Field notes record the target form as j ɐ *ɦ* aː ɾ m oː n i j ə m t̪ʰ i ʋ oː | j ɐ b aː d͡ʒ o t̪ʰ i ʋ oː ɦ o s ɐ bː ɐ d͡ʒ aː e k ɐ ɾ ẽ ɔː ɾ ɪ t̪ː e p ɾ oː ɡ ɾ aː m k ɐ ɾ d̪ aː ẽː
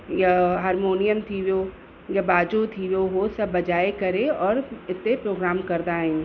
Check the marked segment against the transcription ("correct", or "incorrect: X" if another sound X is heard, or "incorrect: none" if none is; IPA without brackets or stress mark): correct